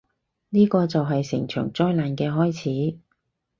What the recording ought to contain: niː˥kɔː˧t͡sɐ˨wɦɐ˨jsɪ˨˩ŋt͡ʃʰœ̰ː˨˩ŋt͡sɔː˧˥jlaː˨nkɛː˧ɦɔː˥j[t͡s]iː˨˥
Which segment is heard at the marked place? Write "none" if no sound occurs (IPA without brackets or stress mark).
t͡sʰ